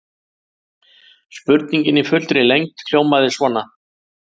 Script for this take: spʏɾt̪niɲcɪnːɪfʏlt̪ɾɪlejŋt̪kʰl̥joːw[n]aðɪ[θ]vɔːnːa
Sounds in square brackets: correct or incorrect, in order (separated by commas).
incorrect, incorrect